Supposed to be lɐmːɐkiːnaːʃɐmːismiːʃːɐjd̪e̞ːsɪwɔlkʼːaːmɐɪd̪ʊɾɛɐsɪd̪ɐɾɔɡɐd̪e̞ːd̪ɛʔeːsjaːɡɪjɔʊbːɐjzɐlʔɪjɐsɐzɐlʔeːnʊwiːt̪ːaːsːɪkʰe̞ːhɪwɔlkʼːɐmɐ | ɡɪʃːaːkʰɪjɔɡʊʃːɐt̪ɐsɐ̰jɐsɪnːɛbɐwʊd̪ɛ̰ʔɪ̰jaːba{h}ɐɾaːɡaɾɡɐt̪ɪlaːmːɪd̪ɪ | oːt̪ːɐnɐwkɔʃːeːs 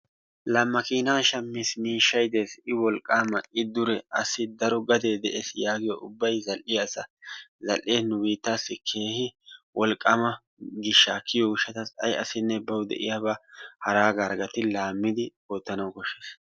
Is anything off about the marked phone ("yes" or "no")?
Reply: no